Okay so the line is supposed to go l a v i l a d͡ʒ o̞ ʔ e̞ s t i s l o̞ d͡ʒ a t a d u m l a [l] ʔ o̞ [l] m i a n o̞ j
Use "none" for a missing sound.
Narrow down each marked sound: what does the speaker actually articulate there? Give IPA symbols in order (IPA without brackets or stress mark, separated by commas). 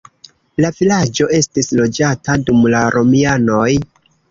ɾ, none